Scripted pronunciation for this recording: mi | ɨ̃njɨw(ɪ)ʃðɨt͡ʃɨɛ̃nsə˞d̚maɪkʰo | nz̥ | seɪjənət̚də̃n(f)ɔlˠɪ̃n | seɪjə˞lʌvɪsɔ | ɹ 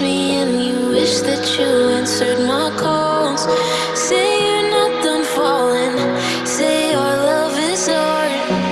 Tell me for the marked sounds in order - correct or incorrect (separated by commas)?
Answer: correct, correct